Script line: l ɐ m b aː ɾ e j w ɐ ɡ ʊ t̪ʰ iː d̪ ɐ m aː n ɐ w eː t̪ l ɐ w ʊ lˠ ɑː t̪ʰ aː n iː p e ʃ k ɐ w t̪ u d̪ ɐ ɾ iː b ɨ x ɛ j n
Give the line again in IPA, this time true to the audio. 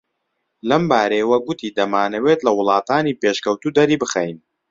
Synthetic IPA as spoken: l ɐ m b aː ɾ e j w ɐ ɡ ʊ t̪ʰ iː d̪ ɐ m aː n ɐ w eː t̪ l ɐ w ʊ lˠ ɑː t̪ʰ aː n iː p e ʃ k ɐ w t̪ u d̪ ɐ ɾ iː b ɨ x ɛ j n